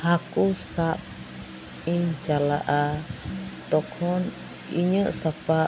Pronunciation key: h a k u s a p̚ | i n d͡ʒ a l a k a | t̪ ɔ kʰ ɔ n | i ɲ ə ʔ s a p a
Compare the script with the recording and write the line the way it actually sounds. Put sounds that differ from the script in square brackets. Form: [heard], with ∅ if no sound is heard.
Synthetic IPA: h a k u s a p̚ | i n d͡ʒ a l a [ʔ] a | t̪ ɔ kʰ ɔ n | i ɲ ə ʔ s a p a